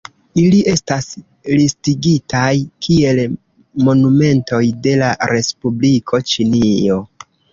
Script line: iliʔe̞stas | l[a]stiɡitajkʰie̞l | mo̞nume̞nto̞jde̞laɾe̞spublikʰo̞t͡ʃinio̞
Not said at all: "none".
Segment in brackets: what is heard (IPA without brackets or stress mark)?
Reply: i